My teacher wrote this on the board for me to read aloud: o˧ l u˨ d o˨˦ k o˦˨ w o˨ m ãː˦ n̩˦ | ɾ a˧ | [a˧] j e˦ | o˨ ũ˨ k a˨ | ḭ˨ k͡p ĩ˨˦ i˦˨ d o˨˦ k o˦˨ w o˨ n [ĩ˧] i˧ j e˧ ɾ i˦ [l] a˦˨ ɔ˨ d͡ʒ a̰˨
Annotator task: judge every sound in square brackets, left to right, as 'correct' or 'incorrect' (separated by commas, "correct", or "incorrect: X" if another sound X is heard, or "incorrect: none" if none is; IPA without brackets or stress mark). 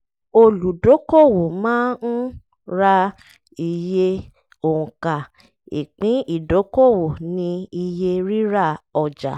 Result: incorrect: i˧, correct, incorrect: ɾ